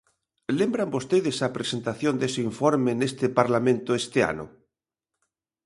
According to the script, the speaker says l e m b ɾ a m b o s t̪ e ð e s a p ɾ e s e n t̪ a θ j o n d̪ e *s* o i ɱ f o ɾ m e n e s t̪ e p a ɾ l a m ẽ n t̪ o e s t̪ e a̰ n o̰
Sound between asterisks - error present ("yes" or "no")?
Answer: no